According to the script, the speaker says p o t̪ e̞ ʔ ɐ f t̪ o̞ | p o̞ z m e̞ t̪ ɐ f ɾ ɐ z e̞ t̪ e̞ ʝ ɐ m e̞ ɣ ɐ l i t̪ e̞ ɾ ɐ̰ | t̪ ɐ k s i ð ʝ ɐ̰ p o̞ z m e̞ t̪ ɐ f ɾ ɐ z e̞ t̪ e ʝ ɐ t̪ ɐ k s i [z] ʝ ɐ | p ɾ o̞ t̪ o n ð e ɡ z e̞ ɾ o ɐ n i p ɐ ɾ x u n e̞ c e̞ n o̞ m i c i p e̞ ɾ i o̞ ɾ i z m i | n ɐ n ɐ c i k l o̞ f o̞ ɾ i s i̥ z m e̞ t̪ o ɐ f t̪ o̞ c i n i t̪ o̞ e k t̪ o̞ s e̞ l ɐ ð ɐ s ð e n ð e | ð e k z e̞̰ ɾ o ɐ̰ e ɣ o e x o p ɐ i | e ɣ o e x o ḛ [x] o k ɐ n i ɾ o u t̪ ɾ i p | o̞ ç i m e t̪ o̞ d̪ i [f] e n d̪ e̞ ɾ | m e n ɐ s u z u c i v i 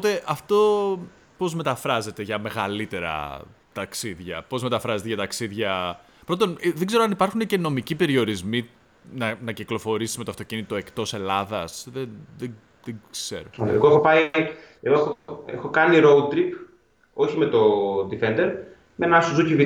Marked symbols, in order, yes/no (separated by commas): no, yes, yes